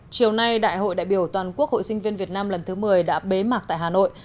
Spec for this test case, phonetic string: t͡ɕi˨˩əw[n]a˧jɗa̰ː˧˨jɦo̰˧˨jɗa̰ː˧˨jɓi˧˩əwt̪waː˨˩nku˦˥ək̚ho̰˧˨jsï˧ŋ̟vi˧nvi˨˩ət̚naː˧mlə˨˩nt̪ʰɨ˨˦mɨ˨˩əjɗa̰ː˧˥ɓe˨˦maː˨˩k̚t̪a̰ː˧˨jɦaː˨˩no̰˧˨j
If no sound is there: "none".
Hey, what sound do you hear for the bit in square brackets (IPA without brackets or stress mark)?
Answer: n